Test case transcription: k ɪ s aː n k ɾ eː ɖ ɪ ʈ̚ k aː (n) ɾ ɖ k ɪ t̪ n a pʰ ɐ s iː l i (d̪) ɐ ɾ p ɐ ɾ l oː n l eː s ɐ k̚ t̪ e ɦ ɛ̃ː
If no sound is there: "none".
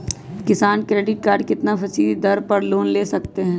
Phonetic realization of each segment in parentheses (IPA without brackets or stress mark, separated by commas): none, d̪